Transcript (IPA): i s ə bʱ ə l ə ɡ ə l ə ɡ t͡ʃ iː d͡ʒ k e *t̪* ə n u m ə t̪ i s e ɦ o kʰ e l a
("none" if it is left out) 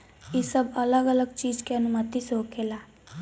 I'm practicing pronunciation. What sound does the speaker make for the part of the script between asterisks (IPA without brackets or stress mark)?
none